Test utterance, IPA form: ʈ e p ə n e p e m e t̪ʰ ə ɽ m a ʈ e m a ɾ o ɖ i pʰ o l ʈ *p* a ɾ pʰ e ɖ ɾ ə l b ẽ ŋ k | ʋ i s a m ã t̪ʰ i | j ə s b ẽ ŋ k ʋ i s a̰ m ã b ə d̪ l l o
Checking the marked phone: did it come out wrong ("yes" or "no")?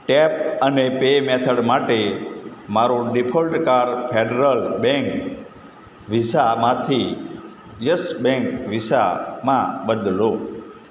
yes